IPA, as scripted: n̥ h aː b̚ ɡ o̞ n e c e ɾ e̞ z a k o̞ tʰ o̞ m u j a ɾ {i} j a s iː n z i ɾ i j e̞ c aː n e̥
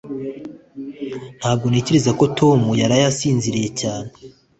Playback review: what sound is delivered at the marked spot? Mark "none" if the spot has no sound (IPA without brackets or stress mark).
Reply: a